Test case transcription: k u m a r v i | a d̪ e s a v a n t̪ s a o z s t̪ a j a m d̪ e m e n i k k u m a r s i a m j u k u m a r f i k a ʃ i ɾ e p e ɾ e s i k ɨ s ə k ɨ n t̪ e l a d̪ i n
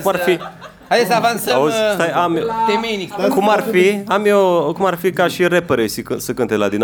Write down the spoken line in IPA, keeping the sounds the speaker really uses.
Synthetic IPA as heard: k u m a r f i | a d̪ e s a v a n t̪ s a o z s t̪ a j a m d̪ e m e n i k k u m a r f i a m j o k u m a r f i k a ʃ i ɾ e p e ɾ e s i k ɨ s ə k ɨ n t̪ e l a d̪ i n